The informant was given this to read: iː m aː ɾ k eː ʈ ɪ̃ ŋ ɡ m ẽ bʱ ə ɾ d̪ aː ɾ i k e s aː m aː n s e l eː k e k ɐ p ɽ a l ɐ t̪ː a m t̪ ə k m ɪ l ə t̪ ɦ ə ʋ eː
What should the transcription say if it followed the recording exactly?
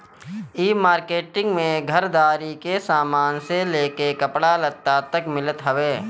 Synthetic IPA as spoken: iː m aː ɾ k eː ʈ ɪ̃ ŋ ɡ m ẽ ɡʱ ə ɾ d̪ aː ɾ i k e s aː m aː n s e l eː k e k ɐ p ɽ a l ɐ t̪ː a t̪ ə k m ɪ l ə t̪ ɦ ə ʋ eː